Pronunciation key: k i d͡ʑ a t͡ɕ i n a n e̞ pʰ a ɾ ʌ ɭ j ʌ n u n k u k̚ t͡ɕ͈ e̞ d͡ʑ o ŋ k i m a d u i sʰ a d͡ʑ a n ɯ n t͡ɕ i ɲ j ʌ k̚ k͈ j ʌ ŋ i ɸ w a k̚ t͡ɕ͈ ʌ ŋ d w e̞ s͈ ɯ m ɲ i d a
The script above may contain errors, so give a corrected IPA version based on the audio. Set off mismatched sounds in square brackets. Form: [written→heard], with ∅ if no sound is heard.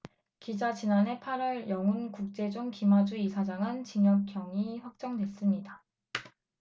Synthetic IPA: k i d͡ʑ a t͡ɕ i n a n e̞ pʰ a ɾ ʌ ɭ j ʌ [n→ŋ] u n k u k̚ t͡ɕ͈ e̞ d͡ʑ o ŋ k i m a [d→d͡ʑ] u i sʰ a d͡ʑ a [n→ŋ] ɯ n t͡ɕ i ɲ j ʌ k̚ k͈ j ʌ ŋ i ɸ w a k̚ t͡ɕ͈ ʌ ŋ d w e̞ s͈ ɯ m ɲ i d a